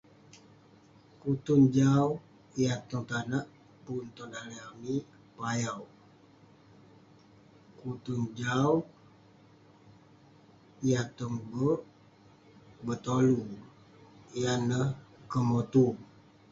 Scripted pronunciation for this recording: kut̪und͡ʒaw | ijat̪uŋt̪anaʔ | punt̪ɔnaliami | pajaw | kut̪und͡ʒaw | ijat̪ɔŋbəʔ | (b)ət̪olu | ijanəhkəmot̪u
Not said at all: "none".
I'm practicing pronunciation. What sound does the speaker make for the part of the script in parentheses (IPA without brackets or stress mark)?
b